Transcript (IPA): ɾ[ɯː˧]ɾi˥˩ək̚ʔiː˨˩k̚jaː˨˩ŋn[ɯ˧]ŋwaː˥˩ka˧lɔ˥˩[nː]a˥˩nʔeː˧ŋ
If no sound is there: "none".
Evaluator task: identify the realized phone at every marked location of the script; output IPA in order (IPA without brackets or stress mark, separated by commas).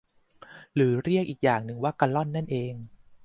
ɯː˩˦, ɯ˧, nː